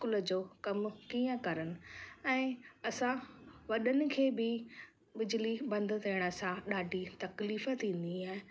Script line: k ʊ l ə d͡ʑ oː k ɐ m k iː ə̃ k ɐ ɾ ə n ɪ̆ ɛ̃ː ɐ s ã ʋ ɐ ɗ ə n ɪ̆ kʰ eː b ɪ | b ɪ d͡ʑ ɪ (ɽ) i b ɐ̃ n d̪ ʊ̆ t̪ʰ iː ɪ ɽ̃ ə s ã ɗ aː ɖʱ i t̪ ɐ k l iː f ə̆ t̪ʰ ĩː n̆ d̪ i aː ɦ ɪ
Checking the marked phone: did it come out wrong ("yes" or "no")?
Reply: yes